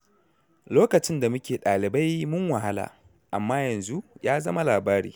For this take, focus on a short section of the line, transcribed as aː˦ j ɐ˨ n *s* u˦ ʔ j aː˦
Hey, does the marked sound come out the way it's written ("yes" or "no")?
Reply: no